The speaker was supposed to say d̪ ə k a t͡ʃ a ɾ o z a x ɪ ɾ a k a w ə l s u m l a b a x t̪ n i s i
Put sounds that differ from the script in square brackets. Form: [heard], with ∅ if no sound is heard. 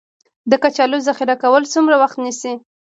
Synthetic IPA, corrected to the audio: d̪ ə k a t͡ʃ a [l] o z a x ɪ ɾ a k a w ə l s u m [ɾ] a [w] a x t̪ n i s i